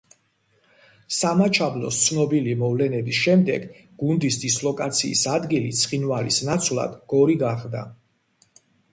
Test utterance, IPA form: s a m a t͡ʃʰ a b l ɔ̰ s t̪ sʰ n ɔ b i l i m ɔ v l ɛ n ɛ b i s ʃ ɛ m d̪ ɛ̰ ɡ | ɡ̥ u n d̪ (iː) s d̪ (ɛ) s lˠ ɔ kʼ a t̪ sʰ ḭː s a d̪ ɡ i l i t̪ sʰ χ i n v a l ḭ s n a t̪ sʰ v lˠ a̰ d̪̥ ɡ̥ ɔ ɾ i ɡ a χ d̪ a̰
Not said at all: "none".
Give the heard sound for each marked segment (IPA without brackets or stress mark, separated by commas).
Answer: i, i